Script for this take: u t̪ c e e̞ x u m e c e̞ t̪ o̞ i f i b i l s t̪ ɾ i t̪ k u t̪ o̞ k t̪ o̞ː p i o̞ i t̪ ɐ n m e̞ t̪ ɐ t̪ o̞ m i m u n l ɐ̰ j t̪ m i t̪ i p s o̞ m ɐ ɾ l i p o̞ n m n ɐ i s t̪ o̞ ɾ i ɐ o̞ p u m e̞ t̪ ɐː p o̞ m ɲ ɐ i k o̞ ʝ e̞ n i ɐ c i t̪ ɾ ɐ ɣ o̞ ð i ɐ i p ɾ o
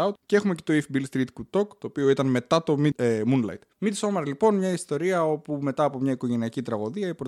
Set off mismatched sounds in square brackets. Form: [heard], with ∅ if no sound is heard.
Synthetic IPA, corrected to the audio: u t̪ c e e̞ x u m e c e̞ t̪ o̞ i f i b i l s t̪ ɾ i t̪ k u t̪ o̞ k t̪ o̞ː p i o̞ i t̪ ɐ n m e̞ t̪ ɐ t̪ o̞ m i m u n l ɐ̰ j t̪ m i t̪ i [∅] s o̞ m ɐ ɾ l i p o̞ n m [ɲ] ɐ i s t̪ o̞ ɾ i ɐ o̞ p u m e̞ t̪ ɐː p o̞ m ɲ ɐ i k o̞ ʝ e̞ n i ɐ c i t̪ ɾ ɐ ɣ o̞ ð i ɐ i p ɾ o